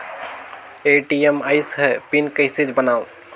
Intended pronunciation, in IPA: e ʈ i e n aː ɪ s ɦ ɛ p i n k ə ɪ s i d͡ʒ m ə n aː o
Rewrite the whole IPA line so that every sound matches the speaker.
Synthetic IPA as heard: e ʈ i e m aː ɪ s ɦ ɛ p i n k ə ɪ s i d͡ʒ b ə n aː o